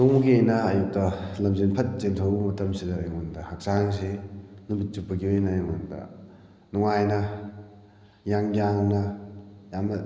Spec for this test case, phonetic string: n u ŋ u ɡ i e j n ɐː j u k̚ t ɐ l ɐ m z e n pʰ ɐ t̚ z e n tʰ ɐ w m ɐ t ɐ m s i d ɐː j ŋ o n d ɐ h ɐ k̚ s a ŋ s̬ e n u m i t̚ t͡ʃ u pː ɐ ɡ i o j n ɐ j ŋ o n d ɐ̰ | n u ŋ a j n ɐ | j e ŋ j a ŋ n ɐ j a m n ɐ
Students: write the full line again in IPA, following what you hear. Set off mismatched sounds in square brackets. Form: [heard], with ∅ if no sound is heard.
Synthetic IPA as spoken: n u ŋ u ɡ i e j n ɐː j u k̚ t ɐ l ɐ m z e n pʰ ɐ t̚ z e n tʰ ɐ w m ɐ t ɐ m s i d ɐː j ŋ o n d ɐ h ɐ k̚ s a ŋ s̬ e n u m i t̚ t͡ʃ u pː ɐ ɡ i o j n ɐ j ŋ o n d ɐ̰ | n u ŋ a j n ɐ | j [a] ŋ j a ŋ n ɐ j a m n ɐ

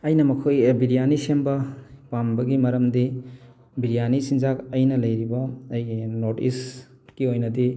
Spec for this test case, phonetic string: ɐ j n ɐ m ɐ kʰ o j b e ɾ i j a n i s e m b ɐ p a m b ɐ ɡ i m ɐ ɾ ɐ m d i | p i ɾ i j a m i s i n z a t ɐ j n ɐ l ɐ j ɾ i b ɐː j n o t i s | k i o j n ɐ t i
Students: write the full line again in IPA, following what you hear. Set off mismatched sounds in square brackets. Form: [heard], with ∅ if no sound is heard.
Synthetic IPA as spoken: ɐ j n ɐ m ɐ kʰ o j b [i] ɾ i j a n i s e m b ɐ p a m b ɐ ɡ i m ɐ ɾ ɐ m d i | [b] i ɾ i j a [n] i s i n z a [k] ɐ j n ɐ l ɐ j ɾ i b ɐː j n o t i s | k i o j n ɐ [d] i

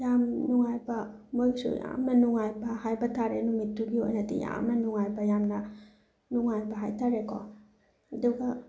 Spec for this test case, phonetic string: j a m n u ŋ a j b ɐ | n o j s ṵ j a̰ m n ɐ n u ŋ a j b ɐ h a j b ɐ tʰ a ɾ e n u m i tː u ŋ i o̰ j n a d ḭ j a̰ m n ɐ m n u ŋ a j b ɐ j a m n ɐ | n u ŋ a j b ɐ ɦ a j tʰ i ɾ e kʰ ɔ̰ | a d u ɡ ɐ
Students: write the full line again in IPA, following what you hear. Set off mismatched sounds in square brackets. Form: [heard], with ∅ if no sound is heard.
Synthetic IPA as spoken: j a m n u ŋ a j b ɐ | [m] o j s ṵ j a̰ m n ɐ n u ŋ a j b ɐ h a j b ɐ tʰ a ɾ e n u m i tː u [ɡ] i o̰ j n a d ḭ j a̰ m n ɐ [∅] n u ŋ a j b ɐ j a m n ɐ | n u ŋ a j b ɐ ɦ a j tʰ [a] ɾ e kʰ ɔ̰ | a d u ɡ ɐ

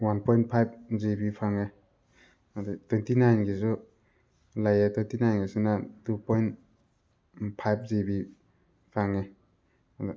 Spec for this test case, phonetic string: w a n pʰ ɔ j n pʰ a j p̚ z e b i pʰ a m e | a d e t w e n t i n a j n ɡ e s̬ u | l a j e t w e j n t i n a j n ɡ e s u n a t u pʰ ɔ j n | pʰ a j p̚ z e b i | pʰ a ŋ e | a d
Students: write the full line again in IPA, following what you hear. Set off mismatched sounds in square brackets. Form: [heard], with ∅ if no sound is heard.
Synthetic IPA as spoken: w a n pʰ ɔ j n pʰ a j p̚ z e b i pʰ a [ŋ] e | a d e t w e n t i n a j n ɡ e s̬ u | l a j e t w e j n t i n a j n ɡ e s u n a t u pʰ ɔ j n | pʰ a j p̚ z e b i | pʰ a ŋ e | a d

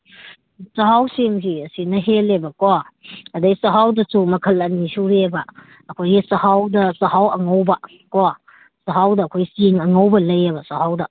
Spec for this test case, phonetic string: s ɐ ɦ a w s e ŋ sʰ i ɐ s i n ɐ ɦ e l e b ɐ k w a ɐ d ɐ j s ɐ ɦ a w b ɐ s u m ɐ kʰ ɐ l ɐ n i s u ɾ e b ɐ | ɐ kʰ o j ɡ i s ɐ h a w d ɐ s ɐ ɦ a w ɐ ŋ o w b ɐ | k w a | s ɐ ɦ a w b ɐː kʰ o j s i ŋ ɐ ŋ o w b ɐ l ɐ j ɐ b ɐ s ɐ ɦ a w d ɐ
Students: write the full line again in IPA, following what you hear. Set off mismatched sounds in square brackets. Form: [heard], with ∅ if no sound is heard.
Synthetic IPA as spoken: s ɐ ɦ a w s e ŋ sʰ i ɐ s i n ɐ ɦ e l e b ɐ k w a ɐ d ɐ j s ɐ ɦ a w [d] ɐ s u m ɐ kʰ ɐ l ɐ n i s u ɾ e b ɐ | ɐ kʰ o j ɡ i s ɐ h a w d ɐ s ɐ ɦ a w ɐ ŋ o w b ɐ | k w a | s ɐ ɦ a w [d] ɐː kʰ o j s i ŋ ɐ ŋ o w b ɐ l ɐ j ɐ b ɐ s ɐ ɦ a w d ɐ

